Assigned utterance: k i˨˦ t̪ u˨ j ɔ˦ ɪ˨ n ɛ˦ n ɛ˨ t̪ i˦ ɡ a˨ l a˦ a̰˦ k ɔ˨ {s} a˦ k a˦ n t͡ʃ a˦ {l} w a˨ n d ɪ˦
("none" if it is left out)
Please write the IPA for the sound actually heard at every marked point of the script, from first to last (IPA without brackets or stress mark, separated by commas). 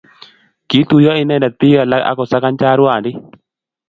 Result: s, ɾ